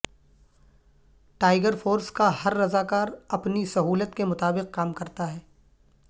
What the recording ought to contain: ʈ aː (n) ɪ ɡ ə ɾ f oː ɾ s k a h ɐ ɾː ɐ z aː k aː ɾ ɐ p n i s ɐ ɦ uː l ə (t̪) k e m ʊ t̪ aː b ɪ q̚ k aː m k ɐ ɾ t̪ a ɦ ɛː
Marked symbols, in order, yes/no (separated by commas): no, yes